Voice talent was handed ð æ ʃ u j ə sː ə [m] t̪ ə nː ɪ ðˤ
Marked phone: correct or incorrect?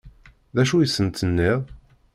incorrect